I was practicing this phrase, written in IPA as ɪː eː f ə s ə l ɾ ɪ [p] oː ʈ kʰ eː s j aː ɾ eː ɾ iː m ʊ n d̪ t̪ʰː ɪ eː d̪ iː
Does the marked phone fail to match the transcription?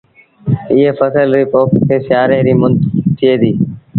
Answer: no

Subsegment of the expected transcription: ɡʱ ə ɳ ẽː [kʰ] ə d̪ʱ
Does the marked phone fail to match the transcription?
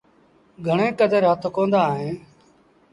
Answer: yes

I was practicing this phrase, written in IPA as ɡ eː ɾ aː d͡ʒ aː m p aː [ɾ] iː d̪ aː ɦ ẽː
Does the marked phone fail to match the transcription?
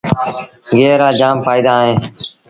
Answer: yes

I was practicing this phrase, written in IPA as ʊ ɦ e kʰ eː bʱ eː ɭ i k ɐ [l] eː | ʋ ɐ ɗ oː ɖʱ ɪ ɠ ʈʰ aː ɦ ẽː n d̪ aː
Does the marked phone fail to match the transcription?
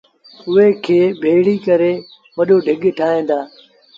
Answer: yes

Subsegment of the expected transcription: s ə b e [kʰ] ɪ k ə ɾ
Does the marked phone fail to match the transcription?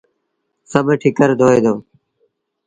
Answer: yes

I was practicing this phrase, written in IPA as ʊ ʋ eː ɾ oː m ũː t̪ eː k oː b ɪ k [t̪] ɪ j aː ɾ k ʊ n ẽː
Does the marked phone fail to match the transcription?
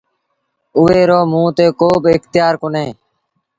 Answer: no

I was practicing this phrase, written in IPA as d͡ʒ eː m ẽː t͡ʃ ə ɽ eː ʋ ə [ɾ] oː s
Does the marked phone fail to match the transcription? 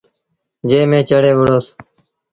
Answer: yes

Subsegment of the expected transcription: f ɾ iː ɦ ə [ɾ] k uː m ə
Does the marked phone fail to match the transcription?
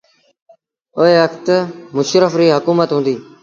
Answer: yes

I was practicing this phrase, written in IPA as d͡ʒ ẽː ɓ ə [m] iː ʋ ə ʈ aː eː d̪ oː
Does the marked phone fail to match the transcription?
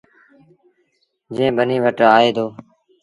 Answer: yes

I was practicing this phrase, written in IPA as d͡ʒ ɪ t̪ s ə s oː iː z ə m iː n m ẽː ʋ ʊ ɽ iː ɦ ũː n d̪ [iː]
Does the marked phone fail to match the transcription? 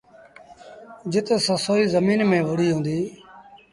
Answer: no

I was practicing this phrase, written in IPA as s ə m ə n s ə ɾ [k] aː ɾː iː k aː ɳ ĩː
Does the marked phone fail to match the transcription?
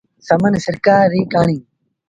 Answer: no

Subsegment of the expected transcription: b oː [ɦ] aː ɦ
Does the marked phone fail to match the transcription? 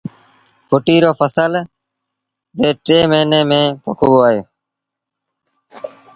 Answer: yes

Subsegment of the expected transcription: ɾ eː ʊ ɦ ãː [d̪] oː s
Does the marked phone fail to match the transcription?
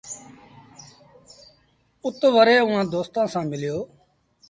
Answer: no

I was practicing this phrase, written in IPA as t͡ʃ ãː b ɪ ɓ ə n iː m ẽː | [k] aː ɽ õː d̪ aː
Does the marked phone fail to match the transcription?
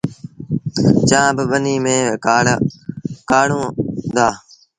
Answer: no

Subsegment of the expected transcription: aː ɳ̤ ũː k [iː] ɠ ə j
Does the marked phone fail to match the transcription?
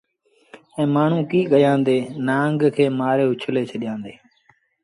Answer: no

